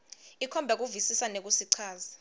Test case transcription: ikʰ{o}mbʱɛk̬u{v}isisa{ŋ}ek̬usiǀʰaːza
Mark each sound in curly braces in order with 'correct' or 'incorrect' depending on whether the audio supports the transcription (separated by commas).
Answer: incorrect, correct, incorrect